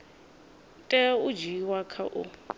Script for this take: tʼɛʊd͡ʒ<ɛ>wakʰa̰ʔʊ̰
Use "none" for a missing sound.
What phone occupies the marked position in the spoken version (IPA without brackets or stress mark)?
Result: i